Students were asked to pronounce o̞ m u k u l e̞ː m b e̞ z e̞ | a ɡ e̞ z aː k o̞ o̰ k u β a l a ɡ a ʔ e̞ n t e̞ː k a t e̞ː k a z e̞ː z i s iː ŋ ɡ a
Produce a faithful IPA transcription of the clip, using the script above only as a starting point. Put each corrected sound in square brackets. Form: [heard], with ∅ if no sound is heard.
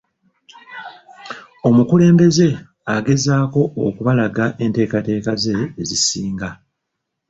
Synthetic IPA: o̞ m u k u l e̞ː m b e̞ z e̞ | a ɡ e̞ z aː k o̞ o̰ k u β a l a ɡ a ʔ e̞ n t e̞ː k a t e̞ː k a z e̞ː z i s iː ŋ ɡ a

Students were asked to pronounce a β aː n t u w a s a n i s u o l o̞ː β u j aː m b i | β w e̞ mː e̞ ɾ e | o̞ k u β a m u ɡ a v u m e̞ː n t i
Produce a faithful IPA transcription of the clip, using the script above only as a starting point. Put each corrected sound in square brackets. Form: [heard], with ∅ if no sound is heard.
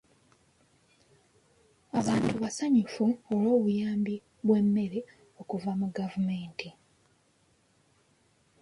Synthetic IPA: a β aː n t u [β] a s a [ɲ] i [f] u o l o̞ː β u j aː m b i | β w e̞ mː e̞ ɾ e | o̞ k u [v] a m u ɡ a v u m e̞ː n t i

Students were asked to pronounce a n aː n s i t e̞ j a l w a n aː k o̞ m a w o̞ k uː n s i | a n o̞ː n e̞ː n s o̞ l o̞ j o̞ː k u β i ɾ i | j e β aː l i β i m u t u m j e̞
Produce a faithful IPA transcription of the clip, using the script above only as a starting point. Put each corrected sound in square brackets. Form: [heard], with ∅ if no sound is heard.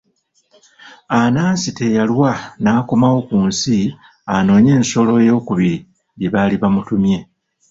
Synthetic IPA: a n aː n s i t e̞ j a l w a n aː k o̞ m a w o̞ k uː n s i | a n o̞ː [ɲ] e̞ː n s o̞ l o̞ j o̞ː k u β i ɾ i | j e β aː l i β [a] m u t u m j e̞

